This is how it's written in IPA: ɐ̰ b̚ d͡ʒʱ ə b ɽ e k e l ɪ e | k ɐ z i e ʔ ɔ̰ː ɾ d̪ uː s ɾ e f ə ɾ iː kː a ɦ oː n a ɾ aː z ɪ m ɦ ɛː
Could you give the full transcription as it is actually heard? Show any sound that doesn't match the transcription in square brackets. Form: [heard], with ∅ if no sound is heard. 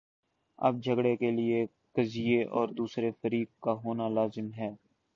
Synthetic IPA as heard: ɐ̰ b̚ d͡ʒʱ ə [ɡ] ɽ e k e l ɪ e | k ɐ z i e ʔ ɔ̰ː ɾ d̪ uː s ɾ e f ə ɾ iː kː a ɦ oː n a [l] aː z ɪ m ɦ ɛː